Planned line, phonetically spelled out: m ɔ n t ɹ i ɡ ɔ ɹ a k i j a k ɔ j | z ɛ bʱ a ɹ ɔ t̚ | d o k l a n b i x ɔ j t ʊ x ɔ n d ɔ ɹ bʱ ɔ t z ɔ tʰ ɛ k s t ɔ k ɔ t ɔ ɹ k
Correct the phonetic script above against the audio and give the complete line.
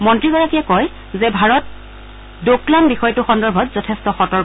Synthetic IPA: m ɔ n t ɹ i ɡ ɔ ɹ a k i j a k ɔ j | z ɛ bʱ a ɹ ɔ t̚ | d o k l a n b i x ɔ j t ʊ x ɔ n d ɔ ɹ bʱ ɔ t z ɔ tʰ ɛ s t ɔ x ɔ t ɔ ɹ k